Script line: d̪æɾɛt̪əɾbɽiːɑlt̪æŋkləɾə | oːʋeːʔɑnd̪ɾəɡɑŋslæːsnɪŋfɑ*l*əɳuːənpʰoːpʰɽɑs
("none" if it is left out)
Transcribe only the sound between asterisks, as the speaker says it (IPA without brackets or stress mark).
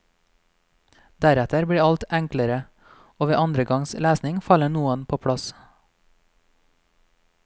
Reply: l